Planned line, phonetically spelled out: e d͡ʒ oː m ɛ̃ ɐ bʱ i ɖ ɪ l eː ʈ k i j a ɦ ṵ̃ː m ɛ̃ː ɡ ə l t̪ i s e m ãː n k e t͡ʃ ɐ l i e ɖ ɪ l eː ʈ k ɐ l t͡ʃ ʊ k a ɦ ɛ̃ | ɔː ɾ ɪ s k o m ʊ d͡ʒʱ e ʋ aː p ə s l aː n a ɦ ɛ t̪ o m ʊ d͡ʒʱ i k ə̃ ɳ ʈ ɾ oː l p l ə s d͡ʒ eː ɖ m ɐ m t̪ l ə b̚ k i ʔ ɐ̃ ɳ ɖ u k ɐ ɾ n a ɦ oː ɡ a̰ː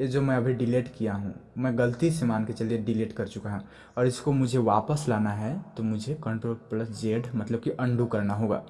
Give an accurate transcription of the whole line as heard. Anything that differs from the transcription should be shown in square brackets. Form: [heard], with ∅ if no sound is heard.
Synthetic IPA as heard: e d͡ʒ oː m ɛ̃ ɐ bʱ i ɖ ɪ l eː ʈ k i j a ɦ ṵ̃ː m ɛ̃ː ɡ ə l t̪ i s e m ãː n k e t͡ʃ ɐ l i e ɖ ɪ l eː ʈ k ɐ [ɾ] t͡ʃ ʊ k a ɦ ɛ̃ | ɔː ɾ ɪ s k o m ʊ d͡ʒʱ e ʋ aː p ə s l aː n a ɦ ɛ t̪ o m ʊ d͡ʒʱ [e] k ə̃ ɳ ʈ ɾ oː l p l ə s d͡ʒ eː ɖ m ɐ [∅] t̪ l ə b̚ k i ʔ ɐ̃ ɳ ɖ u k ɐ ɾ n a ɦ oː ɡ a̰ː